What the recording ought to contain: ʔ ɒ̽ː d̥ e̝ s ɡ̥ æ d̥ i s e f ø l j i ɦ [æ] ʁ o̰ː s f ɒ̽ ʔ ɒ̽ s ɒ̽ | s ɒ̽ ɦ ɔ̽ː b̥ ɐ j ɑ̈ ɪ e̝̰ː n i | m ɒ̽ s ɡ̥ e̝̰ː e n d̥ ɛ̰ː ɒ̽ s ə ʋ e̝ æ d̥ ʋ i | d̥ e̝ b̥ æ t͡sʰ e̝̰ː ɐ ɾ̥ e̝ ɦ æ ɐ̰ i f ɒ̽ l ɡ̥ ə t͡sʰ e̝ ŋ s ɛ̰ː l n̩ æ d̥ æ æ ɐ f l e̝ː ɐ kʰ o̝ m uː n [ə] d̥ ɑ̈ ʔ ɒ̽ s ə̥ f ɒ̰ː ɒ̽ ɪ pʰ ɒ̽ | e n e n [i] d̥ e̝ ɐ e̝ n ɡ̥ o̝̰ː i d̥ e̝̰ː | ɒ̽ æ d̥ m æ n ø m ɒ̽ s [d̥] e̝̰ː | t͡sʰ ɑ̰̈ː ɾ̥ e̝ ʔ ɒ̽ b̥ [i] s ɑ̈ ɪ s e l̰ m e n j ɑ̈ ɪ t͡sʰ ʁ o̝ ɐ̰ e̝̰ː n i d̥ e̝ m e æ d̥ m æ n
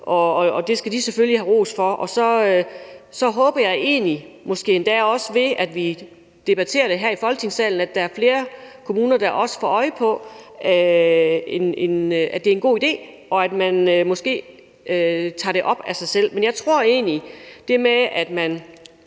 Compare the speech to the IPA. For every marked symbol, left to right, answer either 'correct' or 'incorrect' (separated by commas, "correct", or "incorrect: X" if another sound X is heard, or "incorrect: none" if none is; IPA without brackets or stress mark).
correct, incorrect: ɐ, incorrect: æ, incorrect: ɡ̥, incorrect: æ